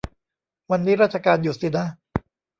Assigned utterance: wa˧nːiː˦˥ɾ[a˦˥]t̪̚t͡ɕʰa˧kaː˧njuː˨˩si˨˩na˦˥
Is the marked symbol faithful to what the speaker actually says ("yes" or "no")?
yes